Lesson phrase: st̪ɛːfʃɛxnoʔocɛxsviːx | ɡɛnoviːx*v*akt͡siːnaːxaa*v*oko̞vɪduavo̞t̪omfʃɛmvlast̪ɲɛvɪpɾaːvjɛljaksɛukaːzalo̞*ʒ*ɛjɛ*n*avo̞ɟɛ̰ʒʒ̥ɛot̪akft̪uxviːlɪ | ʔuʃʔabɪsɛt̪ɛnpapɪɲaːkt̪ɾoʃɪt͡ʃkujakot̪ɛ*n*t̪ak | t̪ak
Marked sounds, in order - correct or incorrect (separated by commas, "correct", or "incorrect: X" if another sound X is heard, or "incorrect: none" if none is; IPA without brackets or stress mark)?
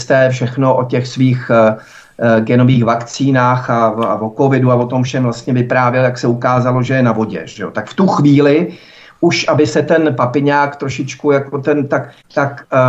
correct, correct, correct, correct, correct